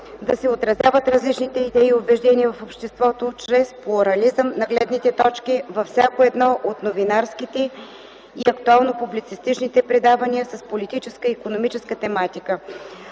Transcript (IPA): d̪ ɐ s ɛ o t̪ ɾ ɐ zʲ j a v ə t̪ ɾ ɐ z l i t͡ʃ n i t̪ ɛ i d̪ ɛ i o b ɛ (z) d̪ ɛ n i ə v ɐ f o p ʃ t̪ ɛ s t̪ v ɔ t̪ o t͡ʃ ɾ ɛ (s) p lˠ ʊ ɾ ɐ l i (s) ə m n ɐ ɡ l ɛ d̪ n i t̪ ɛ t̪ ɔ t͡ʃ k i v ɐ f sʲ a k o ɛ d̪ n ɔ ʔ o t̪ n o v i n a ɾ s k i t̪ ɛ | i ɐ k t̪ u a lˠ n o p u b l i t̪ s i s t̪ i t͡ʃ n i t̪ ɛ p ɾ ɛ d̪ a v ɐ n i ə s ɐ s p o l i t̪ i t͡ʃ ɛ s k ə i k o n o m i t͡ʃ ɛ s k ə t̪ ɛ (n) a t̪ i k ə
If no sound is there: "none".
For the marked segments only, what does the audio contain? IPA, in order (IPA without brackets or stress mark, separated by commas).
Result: ʒ, s, z, m